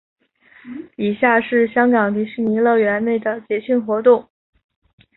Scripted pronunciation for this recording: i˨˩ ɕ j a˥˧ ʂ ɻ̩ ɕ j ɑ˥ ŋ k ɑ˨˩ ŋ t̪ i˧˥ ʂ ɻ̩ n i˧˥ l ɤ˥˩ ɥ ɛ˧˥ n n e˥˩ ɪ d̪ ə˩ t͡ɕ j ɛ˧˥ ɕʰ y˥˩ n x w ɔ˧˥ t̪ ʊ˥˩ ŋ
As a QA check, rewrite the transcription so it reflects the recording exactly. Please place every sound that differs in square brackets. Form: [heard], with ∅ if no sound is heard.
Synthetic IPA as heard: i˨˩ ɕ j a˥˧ ʂ ɻ̩ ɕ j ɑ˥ ŋ k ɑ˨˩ ŋ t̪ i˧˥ ʂ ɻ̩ n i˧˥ l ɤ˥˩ ɥ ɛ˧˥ n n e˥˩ ɪ d̪ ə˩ t͡ɕ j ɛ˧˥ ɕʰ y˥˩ n x w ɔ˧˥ t̪ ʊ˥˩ ŋ